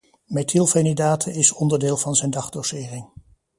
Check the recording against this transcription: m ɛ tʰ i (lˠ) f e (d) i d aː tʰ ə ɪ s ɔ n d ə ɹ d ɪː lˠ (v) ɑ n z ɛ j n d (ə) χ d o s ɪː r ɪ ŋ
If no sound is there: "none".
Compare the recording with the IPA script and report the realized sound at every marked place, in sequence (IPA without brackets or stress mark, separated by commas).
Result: lˠ, n, v, ɑ